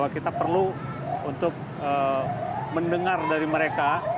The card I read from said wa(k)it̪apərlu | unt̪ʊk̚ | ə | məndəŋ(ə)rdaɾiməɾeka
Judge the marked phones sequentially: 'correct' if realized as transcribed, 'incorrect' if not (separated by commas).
correct, incorrect